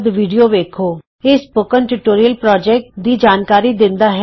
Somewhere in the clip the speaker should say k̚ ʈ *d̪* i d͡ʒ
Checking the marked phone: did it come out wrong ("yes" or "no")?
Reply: no